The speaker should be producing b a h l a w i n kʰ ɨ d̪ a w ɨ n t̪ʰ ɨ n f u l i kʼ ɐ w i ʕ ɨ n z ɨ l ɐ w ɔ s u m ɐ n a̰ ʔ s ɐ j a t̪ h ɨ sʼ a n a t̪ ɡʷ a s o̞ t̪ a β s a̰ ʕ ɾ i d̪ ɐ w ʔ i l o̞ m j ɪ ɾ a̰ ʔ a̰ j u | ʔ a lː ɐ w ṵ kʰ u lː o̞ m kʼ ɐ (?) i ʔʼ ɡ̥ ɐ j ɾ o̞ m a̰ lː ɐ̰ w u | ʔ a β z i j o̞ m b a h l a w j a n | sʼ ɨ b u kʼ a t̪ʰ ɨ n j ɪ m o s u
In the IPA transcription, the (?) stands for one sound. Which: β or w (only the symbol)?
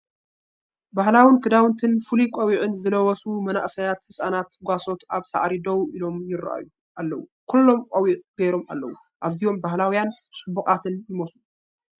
w